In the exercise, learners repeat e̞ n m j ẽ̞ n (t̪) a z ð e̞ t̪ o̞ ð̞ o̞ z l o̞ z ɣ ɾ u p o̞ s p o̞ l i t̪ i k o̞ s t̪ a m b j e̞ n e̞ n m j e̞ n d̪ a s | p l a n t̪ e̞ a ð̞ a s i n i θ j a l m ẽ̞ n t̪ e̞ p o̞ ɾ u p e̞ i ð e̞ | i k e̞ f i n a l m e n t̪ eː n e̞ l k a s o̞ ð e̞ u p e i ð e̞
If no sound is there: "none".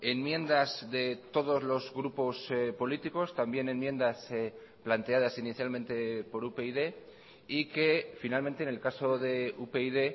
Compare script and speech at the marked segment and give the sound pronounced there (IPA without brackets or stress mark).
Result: d̪